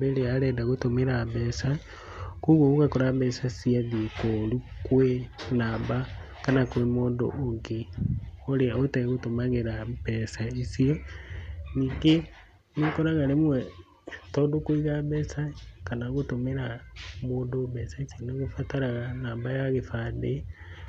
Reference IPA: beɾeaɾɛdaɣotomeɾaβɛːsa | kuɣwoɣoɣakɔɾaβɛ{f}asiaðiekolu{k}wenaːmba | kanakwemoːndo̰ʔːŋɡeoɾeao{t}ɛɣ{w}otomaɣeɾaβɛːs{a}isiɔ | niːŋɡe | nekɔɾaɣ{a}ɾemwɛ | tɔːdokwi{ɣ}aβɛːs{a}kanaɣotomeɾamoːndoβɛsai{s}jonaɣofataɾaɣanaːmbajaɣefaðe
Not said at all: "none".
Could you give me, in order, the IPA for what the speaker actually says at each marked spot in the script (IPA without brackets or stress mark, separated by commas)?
s, k, t, ɣ, a, a, ɣ, a, s